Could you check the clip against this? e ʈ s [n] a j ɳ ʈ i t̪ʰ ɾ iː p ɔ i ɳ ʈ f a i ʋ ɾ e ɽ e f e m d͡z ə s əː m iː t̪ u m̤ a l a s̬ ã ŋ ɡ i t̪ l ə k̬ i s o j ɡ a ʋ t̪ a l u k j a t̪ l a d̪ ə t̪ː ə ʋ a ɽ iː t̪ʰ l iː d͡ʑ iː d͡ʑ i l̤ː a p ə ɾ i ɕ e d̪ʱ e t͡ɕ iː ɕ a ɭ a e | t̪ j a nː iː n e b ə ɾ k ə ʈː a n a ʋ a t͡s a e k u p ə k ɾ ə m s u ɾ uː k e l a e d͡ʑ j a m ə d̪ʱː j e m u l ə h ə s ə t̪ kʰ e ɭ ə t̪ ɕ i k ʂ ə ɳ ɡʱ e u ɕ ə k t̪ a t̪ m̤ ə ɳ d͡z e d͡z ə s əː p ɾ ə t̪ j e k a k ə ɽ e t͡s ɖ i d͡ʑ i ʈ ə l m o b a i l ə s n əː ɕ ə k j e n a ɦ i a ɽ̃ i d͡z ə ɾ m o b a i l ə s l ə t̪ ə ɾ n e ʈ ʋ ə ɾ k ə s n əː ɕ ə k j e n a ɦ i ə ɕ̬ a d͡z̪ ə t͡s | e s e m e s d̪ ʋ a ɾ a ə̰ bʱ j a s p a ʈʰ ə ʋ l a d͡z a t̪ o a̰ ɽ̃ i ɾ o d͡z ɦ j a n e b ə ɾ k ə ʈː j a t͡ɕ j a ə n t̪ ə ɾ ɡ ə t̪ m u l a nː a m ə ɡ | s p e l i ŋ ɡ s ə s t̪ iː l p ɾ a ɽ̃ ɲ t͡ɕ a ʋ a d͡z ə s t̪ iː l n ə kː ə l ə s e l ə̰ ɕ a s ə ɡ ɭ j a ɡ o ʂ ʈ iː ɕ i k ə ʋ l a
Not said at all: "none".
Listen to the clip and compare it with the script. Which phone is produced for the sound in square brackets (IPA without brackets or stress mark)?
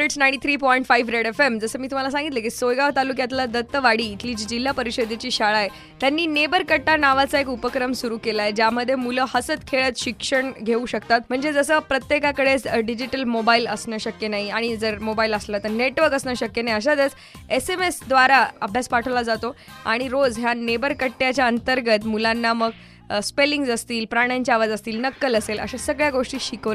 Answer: n